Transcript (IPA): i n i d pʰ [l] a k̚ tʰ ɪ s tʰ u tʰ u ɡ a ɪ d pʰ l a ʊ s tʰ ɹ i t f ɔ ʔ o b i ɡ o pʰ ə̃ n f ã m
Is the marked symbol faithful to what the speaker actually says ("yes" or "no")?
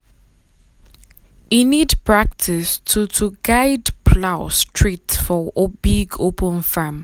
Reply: no